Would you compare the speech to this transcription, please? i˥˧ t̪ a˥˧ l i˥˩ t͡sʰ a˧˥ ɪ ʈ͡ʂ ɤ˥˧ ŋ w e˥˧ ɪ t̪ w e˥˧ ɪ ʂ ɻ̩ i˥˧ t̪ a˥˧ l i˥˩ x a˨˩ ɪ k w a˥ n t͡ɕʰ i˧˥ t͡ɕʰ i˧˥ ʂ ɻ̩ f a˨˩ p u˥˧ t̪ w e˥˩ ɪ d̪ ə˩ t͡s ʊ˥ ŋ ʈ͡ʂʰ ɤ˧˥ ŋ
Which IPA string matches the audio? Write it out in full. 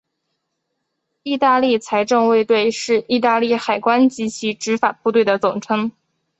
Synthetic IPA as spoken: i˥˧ t̪ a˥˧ l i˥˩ t͡sʰ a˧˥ ɪ ʈ͡ʂ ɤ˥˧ ŋ w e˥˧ ɪ t̪ w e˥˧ ɪ ʂ ɻ̩ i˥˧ t̪ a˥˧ l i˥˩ x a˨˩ ɪ k w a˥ n t͡ɕ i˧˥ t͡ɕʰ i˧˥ ʈ͡ʂ ɻ̩ f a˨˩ p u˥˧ t̪ w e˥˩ ɪ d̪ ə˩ t͡s ʊ˨˩ ŋ ʈ͡ʂʰ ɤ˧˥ ŋ